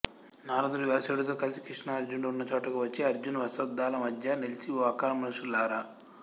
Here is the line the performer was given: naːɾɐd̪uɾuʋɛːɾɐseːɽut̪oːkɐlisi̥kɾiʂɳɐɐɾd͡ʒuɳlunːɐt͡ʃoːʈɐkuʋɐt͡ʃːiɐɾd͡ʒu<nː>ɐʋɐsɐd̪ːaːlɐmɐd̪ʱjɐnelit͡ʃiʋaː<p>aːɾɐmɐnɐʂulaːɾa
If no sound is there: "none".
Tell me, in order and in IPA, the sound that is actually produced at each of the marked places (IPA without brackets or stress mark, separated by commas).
n, k